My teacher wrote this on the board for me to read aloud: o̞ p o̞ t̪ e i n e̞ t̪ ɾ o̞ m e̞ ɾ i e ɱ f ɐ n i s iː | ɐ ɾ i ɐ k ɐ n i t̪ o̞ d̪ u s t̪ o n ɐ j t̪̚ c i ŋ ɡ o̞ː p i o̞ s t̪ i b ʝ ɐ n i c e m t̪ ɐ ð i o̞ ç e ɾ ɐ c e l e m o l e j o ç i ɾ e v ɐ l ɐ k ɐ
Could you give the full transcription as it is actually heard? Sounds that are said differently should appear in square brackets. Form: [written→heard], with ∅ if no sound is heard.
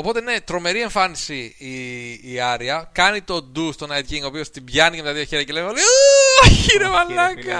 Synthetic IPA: o̞ p o̞ t̪ e i n e̞ t̪ ɾ o̞ m e̞ ɾ i e ɱ f ɐ n i s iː | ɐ ɾ i ɐ k ɐ n i t̪ o̞ d̪ u s t̪ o n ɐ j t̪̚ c i ŋ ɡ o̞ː p i o̞ s t̪ i b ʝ ɐ n i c e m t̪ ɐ ð i o̞ ç e ɾ ɐ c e l e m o l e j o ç i ɾ e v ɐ l ɐ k ɐ